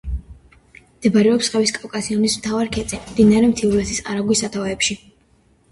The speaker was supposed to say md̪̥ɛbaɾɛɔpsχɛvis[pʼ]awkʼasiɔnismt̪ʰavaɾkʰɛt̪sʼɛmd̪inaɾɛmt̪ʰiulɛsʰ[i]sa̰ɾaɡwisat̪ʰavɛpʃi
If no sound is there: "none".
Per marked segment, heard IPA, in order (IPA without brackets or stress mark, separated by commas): kʼ, i